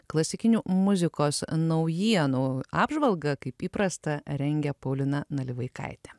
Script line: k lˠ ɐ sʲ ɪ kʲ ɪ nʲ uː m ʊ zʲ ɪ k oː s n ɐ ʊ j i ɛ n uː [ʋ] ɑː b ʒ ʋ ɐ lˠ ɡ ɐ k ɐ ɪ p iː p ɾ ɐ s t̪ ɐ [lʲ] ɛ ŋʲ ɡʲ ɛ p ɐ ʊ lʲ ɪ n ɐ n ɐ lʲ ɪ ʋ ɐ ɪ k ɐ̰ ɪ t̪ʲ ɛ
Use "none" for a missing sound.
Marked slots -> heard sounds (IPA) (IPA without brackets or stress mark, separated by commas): none, ɾʲ